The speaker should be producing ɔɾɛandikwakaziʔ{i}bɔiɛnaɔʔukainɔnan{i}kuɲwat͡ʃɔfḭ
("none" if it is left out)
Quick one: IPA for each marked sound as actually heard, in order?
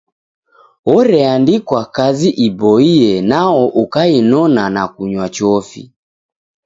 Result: i, a

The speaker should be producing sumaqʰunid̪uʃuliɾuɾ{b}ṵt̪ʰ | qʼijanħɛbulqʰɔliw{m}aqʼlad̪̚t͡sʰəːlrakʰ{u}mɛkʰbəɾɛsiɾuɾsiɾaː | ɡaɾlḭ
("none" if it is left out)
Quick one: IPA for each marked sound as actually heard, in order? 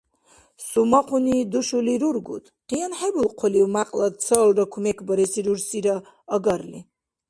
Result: ɡ, m, u

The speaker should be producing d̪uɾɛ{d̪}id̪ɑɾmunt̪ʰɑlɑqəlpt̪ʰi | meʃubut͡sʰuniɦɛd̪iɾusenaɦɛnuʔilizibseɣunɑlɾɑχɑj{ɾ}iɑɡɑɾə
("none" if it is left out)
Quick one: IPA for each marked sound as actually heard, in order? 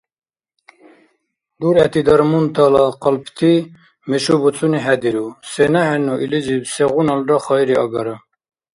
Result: t̪, ɾ

